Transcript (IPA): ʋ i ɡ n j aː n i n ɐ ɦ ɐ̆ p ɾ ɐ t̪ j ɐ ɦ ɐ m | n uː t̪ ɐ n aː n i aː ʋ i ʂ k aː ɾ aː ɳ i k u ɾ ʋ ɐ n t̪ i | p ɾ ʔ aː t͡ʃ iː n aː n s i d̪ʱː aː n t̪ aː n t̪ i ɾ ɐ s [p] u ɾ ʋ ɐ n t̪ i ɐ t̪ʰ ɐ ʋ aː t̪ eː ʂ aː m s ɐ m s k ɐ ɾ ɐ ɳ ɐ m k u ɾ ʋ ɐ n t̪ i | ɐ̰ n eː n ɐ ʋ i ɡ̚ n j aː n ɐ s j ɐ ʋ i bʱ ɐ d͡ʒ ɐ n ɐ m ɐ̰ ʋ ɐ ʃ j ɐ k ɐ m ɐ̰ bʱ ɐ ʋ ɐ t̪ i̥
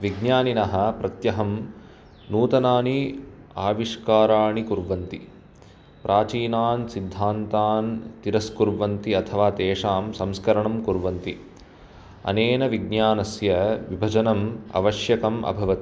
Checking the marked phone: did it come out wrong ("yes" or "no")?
yes